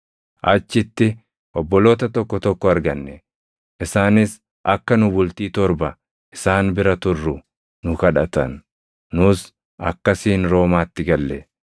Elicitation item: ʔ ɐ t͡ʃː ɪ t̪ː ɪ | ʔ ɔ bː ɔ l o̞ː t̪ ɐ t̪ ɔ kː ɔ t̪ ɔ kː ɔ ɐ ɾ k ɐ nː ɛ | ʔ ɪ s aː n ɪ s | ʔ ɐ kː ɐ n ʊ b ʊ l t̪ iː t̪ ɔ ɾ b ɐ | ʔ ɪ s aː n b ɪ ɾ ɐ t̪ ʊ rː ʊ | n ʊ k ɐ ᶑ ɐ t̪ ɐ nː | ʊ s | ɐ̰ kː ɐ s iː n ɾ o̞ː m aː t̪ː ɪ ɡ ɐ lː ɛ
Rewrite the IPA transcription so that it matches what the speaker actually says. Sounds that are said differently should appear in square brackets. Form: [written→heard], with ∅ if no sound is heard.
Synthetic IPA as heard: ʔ ɐ t͡ʃː ɪ t̪ː ɪ | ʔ ɔ bː ɔ l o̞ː t̪ ɐ t̪ ɔ kː ɔ t̪ ɔ kː ɔ ɐ ɾ [k→ɡ] ɐ nː ɛ | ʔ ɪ s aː n ɪ s | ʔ ɐ kː ɐ n ʊ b ʊ l t̪ iː t̪ ɔ ɾ b ɐ | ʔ ɪ s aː n b ɪ ɾ ɐ t̪ ʊ rː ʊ | n ʊ k ɐ ᶑ ɐ t̪ ɐ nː | ʊ s | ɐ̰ kː ɐ s iː n ɾ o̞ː m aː t̪ː ɪ ɡ ɐ lː ɛ